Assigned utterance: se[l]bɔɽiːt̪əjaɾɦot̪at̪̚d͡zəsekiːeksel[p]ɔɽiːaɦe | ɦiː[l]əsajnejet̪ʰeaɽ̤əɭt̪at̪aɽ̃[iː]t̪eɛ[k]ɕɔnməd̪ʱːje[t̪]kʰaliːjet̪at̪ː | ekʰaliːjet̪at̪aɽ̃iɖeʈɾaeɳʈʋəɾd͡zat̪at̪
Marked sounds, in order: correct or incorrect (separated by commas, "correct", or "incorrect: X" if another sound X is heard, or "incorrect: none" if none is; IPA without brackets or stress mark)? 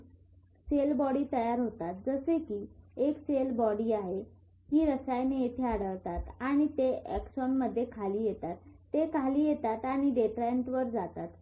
correct, incorrect: b, incorrect: ɾ, incorrect: i, correct, incorrect: none